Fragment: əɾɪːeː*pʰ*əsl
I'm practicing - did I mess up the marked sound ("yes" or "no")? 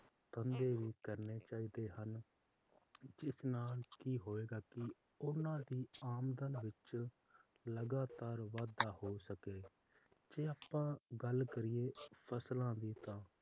no